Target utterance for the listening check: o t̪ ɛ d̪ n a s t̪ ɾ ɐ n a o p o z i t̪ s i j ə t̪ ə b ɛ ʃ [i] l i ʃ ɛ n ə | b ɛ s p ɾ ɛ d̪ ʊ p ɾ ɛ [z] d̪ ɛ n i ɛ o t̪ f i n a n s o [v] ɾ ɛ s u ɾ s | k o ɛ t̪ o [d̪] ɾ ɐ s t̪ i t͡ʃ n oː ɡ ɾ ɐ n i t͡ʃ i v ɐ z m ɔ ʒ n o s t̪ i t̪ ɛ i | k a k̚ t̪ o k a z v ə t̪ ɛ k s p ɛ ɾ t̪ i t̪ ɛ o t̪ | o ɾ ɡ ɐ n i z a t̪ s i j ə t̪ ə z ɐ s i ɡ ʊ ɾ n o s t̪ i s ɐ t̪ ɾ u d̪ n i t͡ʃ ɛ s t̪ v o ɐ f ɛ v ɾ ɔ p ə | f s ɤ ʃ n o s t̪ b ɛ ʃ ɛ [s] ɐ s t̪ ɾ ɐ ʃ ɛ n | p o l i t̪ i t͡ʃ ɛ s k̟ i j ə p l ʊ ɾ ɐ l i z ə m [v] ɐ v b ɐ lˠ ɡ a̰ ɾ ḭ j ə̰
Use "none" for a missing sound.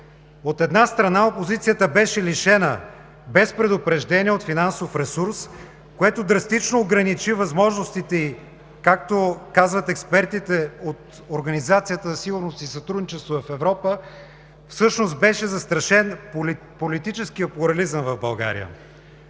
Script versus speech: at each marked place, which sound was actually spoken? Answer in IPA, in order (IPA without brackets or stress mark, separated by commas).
ɛ, ʒ, f, d̪, z, v